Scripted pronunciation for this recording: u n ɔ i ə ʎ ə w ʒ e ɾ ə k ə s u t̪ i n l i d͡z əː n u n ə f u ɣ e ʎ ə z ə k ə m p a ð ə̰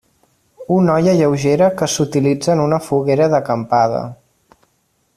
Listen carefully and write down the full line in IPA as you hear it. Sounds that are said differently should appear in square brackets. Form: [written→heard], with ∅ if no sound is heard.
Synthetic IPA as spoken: u n ɔ [i→j] ə ʎ ə w ʒ e ɾ ə k ə s u t̪ i [n→∅] l i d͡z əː n u n ə f u ɣ e [ʎ→ɾ] ə [z→ð] ə k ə m p a ð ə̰